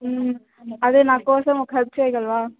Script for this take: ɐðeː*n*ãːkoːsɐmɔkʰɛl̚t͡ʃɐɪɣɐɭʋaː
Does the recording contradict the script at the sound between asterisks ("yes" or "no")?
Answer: no